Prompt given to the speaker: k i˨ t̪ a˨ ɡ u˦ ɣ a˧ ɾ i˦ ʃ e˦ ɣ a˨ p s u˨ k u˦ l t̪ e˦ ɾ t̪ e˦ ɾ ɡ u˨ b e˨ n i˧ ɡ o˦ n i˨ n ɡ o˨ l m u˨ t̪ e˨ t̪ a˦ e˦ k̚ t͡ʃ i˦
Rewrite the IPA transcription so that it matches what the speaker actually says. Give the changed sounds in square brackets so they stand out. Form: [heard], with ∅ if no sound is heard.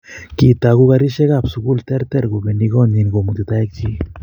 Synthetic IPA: k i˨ t̪ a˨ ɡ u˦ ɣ a˧ ɾ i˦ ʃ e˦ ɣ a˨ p s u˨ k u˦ l t̪ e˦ ɾ t̪ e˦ ɾ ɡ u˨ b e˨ n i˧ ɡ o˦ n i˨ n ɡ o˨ [∅] m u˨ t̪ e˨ t̪ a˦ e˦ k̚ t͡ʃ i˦